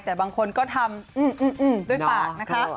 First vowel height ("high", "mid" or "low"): mid